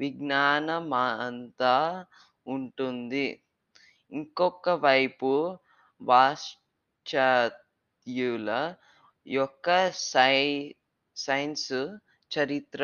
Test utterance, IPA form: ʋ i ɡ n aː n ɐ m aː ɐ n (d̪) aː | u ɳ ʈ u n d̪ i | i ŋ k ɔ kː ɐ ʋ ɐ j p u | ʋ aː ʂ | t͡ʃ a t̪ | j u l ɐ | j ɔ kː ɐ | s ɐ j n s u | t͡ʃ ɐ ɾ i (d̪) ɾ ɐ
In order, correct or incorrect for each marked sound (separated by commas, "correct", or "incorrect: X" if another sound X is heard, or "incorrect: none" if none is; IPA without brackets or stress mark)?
incorrect: t̪, incorrect: t̪